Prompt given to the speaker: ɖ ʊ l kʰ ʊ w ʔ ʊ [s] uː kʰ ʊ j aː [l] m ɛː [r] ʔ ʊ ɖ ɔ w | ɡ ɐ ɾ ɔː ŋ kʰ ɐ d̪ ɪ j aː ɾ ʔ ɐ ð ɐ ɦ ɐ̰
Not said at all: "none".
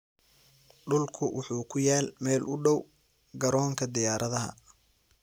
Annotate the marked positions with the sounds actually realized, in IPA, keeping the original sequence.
ħ, l, l

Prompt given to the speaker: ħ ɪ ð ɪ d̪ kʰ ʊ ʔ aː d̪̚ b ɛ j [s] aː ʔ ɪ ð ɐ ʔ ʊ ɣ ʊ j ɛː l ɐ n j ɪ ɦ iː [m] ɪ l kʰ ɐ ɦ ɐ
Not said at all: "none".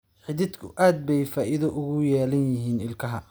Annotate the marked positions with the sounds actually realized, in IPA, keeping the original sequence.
f, n

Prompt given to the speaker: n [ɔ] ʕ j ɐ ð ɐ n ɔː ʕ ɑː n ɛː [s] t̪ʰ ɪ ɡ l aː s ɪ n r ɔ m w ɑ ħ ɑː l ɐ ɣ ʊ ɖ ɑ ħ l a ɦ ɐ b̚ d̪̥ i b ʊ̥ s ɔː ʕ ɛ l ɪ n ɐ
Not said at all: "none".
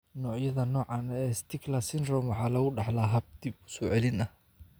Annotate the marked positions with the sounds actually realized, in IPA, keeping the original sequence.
ɔː, s

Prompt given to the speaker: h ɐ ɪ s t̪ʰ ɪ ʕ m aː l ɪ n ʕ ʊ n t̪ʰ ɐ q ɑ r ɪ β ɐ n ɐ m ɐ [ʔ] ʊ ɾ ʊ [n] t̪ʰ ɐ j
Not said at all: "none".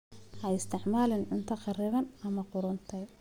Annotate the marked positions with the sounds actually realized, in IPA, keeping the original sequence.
q, n

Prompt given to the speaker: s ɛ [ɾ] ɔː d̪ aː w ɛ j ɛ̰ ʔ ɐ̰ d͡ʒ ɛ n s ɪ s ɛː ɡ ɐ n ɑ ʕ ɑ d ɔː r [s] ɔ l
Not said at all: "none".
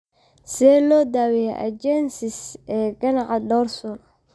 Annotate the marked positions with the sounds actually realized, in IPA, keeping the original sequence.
l, s

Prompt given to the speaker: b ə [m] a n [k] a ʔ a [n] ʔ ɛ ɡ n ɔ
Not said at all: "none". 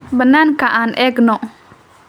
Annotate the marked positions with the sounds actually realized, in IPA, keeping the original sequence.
n, k, n

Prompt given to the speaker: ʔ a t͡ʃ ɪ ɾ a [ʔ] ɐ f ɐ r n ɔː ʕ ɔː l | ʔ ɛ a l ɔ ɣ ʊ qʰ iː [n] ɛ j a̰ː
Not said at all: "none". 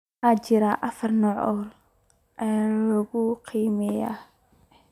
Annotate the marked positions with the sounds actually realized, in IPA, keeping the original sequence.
ʔ, m

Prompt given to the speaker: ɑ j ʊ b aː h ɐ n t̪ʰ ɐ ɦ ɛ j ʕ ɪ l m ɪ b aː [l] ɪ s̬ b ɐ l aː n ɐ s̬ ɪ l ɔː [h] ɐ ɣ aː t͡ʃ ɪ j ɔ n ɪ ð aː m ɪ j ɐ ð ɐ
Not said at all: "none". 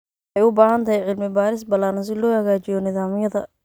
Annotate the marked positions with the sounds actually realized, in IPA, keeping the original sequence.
ɾ, h

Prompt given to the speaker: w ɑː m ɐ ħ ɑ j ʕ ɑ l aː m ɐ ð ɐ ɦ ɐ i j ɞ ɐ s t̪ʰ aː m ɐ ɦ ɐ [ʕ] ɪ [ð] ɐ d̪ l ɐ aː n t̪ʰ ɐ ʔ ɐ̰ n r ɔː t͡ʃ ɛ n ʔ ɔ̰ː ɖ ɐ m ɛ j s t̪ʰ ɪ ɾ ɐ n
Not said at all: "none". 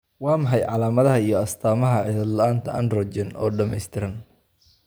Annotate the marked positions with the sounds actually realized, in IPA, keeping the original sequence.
ʕ, ð

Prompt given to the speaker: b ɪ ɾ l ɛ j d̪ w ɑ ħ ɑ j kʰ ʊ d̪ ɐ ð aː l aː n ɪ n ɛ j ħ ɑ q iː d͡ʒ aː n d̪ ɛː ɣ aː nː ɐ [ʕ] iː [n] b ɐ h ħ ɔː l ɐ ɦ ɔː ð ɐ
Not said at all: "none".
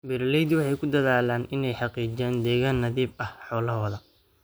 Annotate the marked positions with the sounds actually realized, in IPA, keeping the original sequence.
ð, none

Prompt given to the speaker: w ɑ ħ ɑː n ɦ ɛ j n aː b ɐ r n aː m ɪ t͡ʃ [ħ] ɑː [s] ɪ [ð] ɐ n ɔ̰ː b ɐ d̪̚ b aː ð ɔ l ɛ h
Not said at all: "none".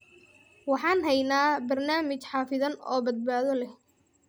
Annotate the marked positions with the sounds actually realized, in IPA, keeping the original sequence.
ħ, f, ð

